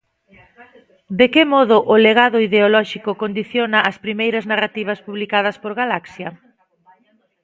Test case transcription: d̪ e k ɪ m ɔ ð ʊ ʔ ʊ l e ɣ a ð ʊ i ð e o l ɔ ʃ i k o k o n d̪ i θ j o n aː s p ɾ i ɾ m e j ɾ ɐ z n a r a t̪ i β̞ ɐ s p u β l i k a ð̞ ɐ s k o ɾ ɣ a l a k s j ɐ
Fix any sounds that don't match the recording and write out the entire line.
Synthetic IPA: d̪ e k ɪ m ɔ ð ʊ ʔ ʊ l e ɣ a ð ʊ i ð e o l ɔ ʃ i k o k o n d̪ i θ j o n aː s p ɾ i m e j ɾ ɐ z n a r a t̪ i β̞ ɐ s p u β l i k a ð̞ ɐ s p o ɾ ɣ a l a k s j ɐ